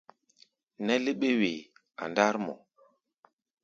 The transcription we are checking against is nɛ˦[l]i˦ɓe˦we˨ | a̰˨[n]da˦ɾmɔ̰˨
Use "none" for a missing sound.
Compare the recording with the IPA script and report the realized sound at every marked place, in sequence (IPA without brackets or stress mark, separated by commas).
l, n